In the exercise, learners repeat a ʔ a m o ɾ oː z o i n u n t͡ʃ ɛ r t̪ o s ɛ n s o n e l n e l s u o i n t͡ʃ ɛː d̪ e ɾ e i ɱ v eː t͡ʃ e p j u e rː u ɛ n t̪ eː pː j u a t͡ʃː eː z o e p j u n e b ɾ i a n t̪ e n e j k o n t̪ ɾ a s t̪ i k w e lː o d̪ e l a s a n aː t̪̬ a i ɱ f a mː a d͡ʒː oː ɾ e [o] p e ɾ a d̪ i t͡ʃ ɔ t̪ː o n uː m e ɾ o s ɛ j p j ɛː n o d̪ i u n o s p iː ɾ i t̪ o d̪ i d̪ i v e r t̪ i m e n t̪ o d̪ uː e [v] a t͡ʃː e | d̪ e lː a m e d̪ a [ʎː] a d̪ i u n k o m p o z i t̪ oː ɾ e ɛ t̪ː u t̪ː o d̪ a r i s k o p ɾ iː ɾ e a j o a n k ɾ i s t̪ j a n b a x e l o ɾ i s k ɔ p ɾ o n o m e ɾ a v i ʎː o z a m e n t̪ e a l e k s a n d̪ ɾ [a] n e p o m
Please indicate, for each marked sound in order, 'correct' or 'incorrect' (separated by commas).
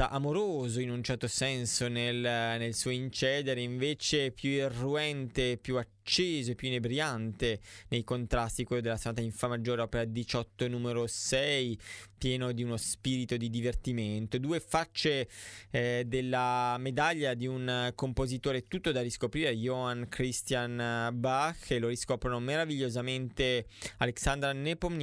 incorrect, incorrect, correct, correct